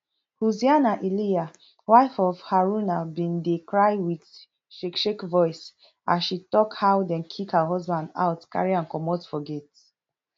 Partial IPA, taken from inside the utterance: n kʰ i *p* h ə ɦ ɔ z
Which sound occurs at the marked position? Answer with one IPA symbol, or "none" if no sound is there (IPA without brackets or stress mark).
k